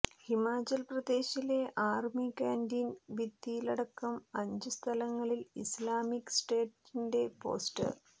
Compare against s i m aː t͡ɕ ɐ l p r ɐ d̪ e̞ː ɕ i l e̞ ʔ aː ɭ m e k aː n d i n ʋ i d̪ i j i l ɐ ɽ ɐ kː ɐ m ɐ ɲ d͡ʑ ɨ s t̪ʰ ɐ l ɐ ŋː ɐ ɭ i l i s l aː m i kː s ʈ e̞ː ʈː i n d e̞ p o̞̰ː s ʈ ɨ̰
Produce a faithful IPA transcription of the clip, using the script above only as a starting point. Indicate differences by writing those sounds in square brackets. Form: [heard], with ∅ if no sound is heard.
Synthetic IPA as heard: [h] i m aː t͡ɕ ɐ l p r ɐ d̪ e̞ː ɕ i l e̞ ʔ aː [r] m [i] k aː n d i n ʋ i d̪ i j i l ɐ ɽ ɐ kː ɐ m ɐ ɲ d͡ʑ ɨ s t̪ʰ ɐ l ɐ ŋː ɐ ɭ i l i s l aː m i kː s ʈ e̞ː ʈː i n d e̞ p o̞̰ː s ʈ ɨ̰